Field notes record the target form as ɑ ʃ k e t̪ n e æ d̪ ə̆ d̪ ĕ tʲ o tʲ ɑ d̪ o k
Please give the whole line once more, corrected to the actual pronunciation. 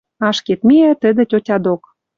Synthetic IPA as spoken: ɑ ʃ k e t̪ m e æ t̪ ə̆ d̪ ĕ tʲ o tʲ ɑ d̪ o k

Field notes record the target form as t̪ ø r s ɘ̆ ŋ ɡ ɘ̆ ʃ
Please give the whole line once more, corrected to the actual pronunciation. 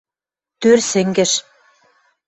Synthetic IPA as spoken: t̪ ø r s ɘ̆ ŋ ɡ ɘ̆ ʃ

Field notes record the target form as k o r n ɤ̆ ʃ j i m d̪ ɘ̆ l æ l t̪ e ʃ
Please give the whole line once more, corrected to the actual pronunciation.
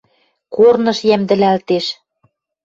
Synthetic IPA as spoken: k o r n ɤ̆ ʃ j æ m d̪ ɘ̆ l æ l t̪ e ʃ

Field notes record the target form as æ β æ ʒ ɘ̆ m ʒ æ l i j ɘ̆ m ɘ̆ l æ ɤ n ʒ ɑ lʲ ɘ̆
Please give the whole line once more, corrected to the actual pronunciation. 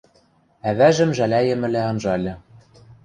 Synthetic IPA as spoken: æ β æ ʒ ɘ̆ m ʒ æ l æ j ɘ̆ m ɘ̆ l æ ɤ n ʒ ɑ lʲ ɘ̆

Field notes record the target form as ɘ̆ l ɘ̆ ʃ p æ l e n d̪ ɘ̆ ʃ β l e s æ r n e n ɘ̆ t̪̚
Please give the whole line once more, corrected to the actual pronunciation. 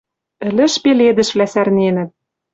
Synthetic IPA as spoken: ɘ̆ l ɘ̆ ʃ p e l e d̪ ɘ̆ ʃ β l æ s æ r n e n ɘ̆ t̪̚

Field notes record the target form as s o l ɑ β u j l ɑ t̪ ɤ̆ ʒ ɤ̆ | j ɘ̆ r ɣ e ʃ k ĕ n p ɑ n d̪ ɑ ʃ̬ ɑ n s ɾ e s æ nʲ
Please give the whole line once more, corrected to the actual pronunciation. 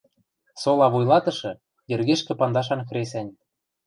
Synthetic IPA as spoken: s o l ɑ β u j l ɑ t̪ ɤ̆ ʃ ɤ̆ | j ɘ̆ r ɣ e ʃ k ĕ p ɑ n d̪ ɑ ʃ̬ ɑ n x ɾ e s æ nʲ

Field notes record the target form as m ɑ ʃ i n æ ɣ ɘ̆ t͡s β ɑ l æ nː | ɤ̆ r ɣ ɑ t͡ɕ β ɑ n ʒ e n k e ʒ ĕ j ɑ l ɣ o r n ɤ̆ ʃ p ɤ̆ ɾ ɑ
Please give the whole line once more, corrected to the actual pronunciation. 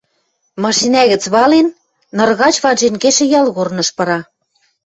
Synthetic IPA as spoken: m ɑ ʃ i n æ ɣ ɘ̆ t͡s β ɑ l e nː | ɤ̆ r ɣ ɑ t͡ɕ β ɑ n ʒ e n k e ʃ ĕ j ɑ l ɣ o r n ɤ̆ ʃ p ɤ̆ ɾ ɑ

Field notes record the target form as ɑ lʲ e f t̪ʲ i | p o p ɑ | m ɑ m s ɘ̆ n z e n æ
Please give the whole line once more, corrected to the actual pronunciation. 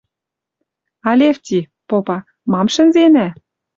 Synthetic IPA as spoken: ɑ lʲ e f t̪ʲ i | p o p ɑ | m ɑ m ʃ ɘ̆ n z e n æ

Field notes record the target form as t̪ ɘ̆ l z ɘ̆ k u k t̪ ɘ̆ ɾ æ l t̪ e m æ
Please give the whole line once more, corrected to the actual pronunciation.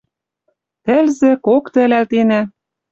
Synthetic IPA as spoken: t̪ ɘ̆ l z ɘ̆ k o k t̪ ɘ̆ l æ l t̪ e n æ

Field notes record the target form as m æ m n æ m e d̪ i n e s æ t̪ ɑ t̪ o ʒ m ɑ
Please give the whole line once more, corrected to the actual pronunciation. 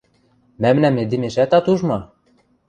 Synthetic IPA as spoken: m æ m n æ m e d̪ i m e ʃ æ t̪ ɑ t̪ u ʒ m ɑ

